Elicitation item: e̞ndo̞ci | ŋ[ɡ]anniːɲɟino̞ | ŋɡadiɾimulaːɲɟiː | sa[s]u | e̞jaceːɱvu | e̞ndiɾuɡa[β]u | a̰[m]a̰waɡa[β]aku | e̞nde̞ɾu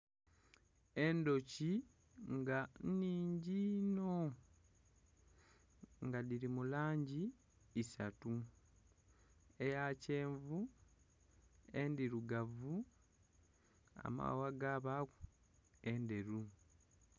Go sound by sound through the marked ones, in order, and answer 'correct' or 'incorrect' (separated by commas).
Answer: correct, incorrect, incorrect, correct, correct